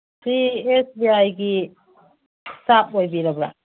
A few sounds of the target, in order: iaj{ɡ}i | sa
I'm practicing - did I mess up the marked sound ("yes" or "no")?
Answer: no